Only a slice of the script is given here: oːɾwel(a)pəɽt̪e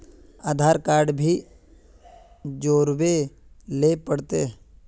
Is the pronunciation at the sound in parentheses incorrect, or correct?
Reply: incorrect